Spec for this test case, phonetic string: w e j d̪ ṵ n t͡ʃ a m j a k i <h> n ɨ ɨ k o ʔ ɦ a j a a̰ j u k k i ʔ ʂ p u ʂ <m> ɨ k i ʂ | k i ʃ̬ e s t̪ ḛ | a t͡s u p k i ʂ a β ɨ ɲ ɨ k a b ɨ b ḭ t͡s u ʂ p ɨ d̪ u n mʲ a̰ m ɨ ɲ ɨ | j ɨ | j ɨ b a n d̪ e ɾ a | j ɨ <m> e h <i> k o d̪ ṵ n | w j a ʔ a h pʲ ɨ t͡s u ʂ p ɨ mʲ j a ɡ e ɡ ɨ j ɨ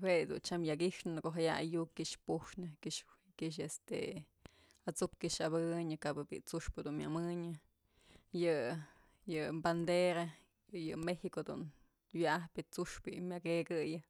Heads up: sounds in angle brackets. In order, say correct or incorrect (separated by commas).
incorrect, incorrect, correct, correct